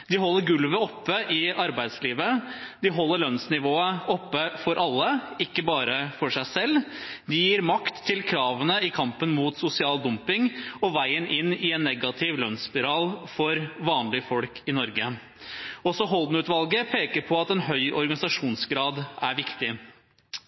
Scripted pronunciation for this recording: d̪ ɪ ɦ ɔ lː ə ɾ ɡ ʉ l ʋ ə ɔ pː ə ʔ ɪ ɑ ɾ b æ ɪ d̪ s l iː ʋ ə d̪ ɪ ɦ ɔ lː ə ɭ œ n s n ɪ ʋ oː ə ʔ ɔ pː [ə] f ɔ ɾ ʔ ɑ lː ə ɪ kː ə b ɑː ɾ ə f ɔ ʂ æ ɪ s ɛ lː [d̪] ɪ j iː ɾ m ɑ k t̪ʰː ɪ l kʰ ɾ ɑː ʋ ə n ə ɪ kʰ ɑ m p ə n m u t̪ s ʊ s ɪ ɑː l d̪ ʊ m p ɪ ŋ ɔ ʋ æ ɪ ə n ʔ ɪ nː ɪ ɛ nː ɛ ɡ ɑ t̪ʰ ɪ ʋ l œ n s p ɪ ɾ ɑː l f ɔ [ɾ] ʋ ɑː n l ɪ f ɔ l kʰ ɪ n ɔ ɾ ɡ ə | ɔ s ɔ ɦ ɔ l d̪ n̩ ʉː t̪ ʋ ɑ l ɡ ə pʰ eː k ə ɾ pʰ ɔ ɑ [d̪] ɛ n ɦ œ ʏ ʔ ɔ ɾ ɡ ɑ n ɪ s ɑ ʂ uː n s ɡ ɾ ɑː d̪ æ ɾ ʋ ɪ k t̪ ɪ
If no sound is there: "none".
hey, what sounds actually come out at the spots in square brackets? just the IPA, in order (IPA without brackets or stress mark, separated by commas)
ə, d̪, ɾ, t̪